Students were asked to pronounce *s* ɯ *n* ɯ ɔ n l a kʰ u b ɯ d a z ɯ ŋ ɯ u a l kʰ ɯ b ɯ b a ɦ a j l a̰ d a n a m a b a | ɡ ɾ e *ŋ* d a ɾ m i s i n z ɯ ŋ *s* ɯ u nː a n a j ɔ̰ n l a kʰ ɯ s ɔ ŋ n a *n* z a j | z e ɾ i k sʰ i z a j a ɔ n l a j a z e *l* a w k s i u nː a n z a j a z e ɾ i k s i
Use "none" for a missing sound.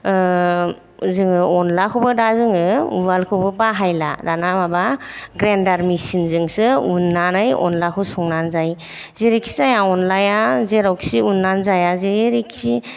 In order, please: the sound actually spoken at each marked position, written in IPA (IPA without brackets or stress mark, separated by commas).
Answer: z, ŋ, n, s, n, ɾ